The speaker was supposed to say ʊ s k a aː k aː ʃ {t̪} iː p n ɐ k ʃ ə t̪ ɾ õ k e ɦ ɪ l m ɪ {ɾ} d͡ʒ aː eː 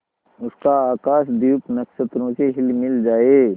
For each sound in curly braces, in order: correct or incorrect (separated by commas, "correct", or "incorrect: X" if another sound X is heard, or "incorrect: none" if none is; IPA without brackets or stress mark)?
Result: incorrect: d̪, incorrect: l